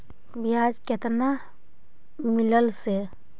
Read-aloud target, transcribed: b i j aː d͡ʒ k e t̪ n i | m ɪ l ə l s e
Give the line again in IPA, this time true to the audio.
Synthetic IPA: b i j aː d͡ʒ k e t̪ n a | m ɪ l ə l s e